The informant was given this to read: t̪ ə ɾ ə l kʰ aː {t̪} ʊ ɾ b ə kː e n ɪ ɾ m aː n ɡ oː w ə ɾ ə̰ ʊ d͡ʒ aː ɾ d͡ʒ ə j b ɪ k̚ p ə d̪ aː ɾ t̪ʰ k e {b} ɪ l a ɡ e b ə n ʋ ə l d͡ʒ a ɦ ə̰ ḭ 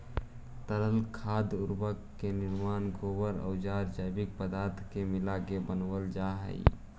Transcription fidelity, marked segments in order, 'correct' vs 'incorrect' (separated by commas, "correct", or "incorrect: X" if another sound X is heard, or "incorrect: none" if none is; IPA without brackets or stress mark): incorrect: d̪, incorrect: m